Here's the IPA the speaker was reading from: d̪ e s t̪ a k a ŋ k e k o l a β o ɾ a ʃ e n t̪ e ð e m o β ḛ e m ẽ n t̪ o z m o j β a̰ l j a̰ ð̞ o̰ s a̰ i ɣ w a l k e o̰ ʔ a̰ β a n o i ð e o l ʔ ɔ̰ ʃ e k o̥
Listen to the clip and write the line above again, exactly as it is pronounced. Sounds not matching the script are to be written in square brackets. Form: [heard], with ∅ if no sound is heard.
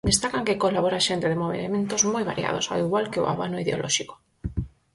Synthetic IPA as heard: d̪ e s t̪ a k a ŋ k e k o l a β o ɾ a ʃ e n t̪ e ð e m o β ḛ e m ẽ n t̪ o z m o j β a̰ [ɾ] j a̰ ð̞ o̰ s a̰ i ɣ w a l k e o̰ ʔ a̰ β a n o i ð e o l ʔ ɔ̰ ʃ [i] k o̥